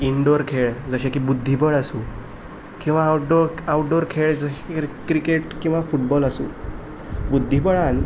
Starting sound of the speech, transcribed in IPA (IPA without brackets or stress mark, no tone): i